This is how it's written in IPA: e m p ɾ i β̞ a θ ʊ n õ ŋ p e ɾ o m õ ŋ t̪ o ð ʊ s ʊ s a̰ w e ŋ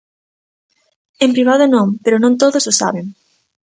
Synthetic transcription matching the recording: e m p ɾ i β̞ a ð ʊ n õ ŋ p e ɾ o n õ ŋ t̪ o ð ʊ s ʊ s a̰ β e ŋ